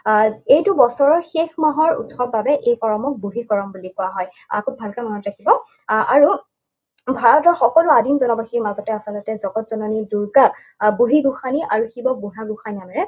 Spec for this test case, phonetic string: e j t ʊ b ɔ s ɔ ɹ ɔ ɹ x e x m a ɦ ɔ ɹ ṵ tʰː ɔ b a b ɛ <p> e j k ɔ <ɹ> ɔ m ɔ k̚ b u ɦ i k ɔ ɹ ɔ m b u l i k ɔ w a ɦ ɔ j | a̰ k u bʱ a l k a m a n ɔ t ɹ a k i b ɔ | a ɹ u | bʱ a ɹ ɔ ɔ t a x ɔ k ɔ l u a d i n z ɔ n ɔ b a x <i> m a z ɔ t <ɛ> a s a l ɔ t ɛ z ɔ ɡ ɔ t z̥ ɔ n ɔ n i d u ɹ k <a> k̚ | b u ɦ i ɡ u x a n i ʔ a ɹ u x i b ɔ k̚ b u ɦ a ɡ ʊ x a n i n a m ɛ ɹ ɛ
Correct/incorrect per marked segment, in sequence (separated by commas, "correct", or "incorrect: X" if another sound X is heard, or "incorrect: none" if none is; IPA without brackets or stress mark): incorrect: ʔ, correct, correct, correct, correct